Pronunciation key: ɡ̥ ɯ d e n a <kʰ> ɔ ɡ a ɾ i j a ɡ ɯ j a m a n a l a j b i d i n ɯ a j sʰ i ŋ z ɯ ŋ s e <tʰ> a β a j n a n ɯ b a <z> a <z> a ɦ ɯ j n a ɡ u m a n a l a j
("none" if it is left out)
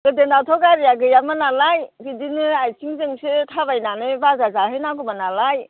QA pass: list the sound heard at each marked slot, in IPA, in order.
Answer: tʰ, tʰ, z, z

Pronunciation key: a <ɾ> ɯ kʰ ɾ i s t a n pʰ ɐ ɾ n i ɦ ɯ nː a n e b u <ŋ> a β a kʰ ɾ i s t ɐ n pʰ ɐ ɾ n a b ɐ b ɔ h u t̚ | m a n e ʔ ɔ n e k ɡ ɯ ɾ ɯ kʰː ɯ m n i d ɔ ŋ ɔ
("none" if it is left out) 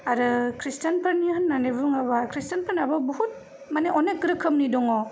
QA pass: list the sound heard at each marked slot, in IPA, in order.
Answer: ɾ, ŋ

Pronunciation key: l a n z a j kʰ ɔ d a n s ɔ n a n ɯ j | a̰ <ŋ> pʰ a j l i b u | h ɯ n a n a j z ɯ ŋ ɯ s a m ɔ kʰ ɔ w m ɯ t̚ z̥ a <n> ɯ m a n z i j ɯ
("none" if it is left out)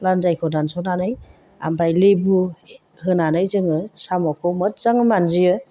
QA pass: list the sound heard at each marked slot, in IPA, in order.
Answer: m, ŋ

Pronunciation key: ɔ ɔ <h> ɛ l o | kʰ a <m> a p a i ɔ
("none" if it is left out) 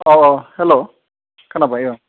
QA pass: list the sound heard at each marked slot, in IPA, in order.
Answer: h, n

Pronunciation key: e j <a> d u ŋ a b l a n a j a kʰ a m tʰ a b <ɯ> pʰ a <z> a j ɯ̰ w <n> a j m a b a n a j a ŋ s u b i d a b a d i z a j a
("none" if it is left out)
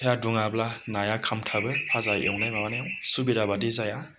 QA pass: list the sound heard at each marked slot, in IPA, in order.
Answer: a, ɯ, z, n

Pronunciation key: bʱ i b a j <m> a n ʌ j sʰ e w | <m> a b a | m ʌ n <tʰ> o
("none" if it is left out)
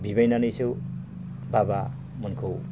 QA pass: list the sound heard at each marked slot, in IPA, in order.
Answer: n, b, kʰ

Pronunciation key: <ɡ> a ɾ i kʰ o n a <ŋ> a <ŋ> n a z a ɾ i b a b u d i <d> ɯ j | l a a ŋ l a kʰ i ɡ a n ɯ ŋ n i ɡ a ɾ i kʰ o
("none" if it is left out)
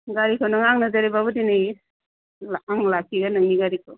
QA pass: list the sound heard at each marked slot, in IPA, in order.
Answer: ɡ, ŋ, ŋ, n

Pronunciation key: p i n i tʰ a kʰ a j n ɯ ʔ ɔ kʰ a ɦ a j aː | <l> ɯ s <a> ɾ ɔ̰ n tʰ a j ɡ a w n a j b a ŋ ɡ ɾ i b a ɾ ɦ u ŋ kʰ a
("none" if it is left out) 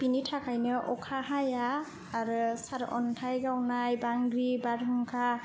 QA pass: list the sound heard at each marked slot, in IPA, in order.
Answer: ɾ, a

